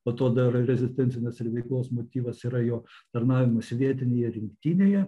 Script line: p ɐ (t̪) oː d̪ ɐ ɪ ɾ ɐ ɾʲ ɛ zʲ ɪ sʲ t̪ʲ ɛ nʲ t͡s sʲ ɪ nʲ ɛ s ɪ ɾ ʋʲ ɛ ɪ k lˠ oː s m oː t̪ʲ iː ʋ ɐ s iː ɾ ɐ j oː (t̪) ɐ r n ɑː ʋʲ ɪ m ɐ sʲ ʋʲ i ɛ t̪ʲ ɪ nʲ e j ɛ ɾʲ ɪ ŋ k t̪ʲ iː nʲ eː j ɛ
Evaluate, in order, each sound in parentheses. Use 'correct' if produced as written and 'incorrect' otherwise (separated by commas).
correct, correct